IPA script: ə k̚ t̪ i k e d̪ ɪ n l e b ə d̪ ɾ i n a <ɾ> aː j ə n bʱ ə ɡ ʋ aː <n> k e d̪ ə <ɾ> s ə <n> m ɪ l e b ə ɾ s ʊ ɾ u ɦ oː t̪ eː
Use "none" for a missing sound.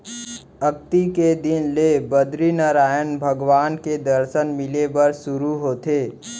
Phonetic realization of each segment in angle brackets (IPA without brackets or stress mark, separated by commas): ɾ, n, ɾ, n